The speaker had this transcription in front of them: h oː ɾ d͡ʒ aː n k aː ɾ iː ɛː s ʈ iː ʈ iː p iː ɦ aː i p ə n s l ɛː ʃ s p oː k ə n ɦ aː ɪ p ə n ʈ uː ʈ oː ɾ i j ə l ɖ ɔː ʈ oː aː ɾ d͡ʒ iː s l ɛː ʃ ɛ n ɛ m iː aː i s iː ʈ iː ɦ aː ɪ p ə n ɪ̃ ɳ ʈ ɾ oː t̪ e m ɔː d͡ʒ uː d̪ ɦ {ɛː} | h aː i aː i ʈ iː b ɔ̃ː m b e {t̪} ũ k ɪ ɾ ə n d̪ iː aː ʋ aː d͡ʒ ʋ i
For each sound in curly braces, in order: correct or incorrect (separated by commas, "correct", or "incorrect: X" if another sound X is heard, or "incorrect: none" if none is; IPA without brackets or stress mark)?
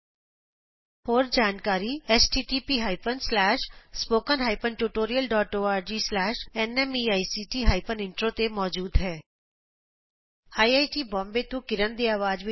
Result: correct, correct